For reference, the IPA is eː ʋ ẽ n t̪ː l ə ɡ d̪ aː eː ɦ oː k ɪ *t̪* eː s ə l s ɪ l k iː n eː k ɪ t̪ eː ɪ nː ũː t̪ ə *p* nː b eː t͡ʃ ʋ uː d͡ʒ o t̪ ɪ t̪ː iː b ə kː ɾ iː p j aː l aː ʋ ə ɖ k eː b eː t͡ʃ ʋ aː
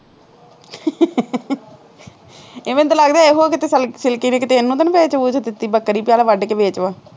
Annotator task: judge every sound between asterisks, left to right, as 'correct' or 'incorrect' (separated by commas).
correct, incorrect